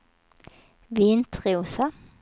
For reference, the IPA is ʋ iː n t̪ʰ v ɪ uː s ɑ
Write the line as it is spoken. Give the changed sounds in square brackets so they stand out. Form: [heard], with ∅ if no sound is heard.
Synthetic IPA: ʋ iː n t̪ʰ [ʁ] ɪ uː s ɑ